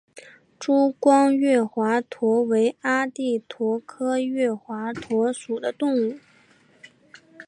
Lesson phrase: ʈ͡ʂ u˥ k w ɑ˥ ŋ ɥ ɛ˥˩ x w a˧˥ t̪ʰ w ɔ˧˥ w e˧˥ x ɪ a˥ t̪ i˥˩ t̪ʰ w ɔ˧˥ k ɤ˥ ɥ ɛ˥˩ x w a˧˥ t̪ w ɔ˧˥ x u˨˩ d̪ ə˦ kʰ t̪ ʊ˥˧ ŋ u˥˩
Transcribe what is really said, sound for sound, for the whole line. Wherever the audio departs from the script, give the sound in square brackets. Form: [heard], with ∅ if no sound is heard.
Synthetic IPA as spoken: ʈ͡ʂ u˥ k w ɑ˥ ŋ ɥ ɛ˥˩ x w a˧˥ t̪ʰ w ɔ˧˥ w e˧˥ [∅] ɪ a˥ t̪ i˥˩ t̪ʰ w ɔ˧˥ [kʰ] ɤ˥ ɥ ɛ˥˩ x w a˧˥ [t̪ʰ] w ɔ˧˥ [ʂ] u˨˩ d̪ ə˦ [∅] t̪ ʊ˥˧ ŋ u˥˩